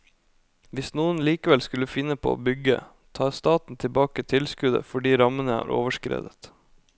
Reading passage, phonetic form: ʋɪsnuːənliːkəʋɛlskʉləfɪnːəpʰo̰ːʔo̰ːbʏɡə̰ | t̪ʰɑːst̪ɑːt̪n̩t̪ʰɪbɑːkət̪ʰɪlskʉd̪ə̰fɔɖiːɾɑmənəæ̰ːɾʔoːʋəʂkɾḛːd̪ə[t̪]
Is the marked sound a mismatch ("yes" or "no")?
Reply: no